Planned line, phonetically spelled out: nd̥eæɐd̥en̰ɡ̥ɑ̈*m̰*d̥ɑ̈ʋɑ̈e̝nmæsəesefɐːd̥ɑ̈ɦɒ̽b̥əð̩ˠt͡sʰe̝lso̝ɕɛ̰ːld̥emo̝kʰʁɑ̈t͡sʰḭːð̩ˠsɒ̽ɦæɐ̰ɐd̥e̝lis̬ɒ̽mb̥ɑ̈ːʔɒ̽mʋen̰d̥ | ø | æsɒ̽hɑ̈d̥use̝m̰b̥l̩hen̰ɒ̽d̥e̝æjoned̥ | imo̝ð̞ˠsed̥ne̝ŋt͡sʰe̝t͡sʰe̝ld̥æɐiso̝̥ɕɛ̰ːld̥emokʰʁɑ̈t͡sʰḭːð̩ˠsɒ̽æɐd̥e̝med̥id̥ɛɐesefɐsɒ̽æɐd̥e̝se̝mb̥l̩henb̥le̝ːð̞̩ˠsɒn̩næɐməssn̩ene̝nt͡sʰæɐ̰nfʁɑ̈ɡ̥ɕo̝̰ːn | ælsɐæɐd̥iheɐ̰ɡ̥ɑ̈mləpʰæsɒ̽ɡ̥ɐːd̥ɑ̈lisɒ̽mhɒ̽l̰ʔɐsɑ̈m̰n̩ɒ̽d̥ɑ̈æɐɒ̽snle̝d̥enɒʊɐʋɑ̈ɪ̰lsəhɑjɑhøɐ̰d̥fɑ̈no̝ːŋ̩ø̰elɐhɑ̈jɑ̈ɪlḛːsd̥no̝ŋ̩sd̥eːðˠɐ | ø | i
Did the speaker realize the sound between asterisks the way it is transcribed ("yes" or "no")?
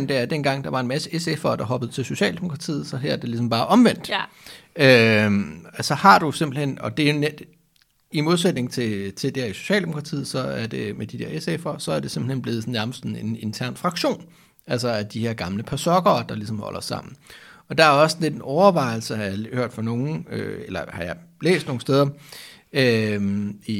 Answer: no